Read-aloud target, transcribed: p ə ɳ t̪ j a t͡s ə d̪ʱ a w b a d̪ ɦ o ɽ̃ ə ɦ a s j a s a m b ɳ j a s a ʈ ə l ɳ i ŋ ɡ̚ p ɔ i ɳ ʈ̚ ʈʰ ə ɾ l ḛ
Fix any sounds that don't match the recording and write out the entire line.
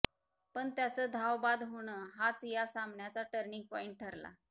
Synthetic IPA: p ə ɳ t̪ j a t͡s ə d̪ʱ a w b a d̪ ɦ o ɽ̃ ə ɦ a t͡s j a s a m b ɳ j a t͡s a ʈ ə ɾ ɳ i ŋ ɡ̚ p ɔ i ɳ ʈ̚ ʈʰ ə ɾ l a̰